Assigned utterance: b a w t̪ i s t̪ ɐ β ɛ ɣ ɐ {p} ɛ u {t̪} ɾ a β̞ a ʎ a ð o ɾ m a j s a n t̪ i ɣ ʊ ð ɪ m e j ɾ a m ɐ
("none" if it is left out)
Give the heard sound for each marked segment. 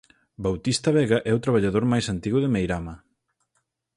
ʔ, t̪

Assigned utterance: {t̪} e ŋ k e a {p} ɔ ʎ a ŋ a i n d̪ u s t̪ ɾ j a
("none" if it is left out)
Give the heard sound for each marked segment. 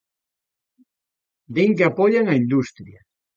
d̪, p

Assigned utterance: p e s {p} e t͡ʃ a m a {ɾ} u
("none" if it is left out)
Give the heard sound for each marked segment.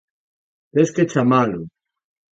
k, l

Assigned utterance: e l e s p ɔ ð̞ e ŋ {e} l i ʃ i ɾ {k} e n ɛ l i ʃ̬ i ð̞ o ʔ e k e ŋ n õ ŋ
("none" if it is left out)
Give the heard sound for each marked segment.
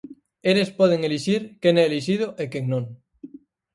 e, k

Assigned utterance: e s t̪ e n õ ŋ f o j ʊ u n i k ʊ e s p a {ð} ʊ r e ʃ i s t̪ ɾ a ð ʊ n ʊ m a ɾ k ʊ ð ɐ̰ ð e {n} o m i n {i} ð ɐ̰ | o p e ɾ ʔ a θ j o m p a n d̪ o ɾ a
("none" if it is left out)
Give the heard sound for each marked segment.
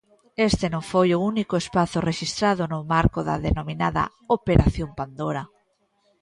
θ, n, a

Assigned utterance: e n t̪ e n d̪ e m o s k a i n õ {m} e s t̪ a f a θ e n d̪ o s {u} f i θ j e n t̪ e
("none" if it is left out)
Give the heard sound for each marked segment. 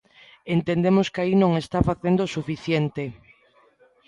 ŋ, u

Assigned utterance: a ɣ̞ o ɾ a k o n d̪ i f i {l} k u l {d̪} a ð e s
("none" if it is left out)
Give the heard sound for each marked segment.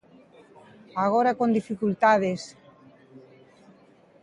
none, t̪

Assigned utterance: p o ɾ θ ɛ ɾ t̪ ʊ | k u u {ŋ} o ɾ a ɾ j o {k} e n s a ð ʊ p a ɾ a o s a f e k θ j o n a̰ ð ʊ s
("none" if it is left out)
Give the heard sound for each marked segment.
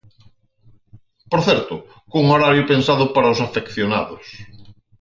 ŋ, p

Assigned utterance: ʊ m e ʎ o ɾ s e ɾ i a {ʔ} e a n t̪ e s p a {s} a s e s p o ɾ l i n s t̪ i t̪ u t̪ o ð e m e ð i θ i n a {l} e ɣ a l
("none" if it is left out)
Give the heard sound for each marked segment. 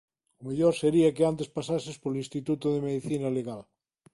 k, s, l

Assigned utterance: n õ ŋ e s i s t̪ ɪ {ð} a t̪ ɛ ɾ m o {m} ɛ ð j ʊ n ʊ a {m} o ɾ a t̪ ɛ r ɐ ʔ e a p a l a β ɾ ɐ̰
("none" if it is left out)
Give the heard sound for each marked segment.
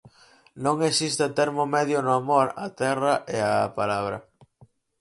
none, m, m

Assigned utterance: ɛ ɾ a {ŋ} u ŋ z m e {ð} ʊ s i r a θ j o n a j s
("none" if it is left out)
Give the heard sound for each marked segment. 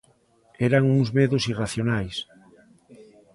ŋ, ð

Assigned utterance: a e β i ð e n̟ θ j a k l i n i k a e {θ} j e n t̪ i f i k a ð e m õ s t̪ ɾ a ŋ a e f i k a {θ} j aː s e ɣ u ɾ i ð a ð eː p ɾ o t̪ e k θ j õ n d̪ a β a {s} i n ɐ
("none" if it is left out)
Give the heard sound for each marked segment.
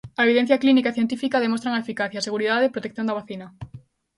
θ, θ, θ

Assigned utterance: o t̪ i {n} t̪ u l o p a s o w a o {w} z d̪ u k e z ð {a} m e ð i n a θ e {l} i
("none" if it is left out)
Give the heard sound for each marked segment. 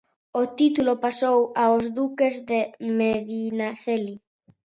none, none, e, l

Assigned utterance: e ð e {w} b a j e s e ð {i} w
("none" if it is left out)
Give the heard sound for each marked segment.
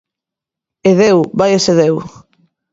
w, e

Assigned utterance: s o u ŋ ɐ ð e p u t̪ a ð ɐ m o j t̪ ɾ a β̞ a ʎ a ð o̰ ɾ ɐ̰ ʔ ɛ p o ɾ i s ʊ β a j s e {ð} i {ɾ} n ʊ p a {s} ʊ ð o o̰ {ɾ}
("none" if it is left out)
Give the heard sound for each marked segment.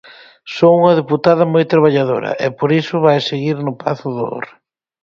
ɣ, ɾ, θ, ɾ

